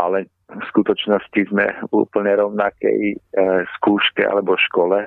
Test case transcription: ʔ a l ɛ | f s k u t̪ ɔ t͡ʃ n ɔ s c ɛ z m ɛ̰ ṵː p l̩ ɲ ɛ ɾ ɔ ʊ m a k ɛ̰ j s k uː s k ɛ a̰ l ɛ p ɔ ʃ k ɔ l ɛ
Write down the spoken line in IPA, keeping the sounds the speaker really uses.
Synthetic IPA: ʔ a l ɛ | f s k u t̪ ɔ t͡ʃ n ɔ s c i z m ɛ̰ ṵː p l̩ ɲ ɛ ɾ ɔ ʊ n a k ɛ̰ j s k uː ʃ k ɛ a̰ l ɛ b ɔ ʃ k ɔ l ɛ